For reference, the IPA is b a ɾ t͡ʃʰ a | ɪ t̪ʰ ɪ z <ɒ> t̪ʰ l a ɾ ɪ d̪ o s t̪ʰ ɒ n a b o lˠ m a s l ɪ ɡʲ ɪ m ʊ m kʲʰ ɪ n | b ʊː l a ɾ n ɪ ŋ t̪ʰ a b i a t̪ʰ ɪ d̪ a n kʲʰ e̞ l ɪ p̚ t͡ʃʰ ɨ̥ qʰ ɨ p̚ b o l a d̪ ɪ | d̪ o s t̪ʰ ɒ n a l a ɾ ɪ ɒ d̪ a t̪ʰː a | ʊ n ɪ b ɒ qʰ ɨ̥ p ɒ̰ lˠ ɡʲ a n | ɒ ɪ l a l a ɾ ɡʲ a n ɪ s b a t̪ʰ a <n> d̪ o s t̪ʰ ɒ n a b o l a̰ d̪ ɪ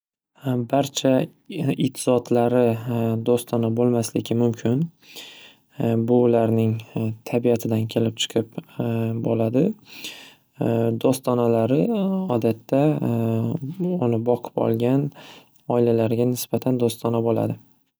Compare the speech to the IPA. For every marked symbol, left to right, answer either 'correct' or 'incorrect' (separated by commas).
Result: correct, correct